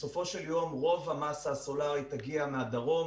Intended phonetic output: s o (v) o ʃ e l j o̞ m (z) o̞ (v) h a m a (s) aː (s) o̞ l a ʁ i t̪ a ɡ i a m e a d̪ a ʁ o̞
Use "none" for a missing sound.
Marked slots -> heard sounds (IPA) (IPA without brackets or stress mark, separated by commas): f, ʁ, v, s, s